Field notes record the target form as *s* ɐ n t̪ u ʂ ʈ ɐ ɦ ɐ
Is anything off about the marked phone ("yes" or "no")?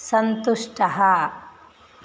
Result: no